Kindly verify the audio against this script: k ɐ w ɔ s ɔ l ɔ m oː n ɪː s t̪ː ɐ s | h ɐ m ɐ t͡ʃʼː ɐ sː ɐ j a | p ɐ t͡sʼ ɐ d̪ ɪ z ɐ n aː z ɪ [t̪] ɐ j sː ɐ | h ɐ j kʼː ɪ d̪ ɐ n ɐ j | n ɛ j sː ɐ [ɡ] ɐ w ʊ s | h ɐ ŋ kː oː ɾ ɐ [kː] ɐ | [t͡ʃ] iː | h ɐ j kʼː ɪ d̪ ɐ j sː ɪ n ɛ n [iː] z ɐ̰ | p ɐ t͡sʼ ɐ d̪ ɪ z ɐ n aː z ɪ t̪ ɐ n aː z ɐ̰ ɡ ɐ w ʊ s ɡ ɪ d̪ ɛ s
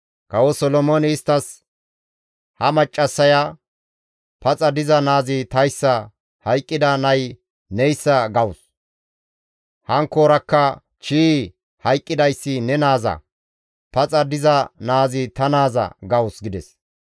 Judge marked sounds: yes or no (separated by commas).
yes, yes, yes, yes, no